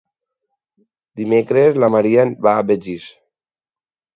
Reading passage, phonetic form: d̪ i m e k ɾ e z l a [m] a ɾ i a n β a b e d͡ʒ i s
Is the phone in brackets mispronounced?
no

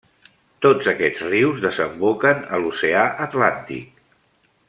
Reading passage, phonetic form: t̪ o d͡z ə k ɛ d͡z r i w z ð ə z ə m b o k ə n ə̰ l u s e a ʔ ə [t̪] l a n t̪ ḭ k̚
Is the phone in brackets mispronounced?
no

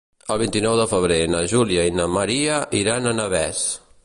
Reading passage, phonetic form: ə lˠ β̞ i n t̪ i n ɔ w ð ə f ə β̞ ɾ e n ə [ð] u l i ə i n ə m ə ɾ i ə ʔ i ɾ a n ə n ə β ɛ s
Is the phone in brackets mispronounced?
yes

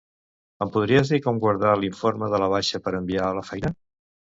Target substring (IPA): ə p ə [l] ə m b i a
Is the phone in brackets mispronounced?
yes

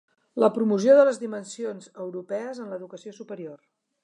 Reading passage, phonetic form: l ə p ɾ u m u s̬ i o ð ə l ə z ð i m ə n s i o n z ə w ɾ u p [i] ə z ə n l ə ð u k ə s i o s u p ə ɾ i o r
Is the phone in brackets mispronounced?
yes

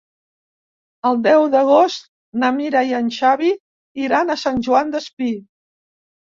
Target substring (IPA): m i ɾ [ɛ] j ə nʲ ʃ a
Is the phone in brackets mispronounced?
yes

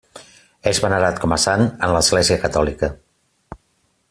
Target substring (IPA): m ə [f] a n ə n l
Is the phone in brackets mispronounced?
yes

